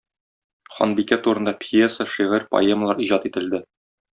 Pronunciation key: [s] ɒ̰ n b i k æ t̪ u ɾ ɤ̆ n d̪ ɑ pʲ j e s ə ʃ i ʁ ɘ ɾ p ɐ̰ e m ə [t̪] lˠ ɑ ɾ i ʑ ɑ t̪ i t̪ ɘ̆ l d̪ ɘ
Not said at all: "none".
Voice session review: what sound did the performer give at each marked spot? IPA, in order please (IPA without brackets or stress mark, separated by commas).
χ, none